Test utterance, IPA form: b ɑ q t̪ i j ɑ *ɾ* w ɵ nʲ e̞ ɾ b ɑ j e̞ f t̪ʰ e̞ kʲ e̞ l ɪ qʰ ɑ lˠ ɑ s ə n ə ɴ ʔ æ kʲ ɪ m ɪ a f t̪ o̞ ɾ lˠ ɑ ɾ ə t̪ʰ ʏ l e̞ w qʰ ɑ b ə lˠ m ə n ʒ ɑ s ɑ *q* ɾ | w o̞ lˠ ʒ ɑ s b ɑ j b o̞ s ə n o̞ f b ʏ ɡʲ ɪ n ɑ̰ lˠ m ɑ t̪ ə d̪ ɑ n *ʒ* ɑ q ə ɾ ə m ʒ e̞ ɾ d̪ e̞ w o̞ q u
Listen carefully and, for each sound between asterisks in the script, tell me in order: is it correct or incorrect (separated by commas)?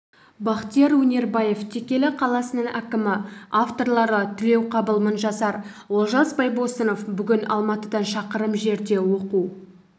correct, incorrect, incorrect